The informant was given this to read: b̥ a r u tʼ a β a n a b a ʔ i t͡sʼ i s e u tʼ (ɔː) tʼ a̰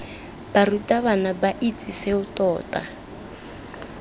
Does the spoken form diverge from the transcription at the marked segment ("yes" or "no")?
no